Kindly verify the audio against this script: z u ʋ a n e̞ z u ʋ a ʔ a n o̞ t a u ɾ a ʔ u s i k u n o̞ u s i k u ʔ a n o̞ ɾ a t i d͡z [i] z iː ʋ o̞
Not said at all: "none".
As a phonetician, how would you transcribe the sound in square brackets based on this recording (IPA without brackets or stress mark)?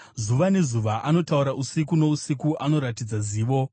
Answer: a